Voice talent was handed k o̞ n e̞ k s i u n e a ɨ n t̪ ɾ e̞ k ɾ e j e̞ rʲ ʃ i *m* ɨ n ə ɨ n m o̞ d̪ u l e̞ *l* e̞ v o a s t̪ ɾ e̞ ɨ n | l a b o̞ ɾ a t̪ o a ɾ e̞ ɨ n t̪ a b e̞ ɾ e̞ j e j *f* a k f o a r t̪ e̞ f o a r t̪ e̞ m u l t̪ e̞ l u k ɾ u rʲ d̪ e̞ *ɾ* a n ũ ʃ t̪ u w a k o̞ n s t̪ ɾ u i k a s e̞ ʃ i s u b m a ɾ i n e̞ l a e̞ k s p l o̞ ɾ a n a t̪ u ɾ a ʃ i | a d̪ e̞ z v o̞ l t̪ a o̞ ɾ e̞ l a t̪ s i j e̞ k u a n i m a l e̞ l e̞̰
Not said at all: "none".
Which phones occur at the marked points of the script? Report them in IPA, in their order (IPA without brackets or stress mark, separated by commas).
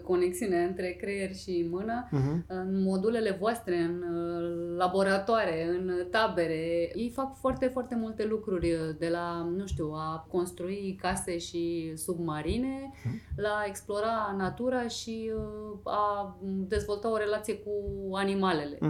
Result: m, l, f, l